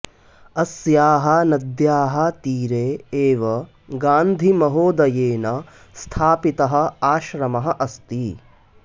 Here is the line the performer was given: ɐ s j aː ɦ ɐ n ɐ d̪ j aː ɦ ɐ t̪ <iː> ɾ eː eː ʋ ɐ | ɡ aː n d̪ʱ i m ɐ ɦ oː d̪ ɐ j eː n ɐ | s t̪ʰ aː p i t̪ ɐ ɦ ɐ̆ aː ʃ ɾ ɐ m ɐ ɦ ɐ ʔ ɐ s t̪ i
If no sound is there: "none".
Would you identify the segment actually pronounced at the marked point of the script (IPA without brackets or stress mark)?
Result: iː